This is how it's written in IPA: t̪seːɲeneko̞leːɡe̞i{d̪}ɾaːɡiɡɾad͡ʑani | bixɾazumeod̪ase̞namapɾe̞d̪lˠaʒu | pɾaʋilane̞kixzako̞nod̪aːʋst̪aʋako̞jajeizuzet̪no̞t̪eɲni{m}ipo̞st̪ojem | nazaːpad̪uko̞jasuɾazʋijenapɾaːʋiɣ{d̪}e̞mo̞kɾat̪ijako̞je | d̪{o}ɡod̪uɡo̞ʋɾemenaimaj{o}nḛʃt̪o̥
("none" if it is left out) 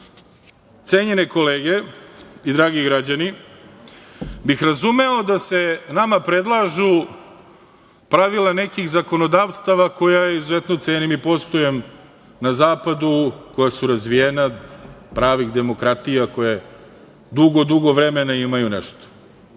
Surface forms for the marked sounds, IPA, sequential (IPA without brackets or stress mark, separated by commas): d̪, m, d̪, u, u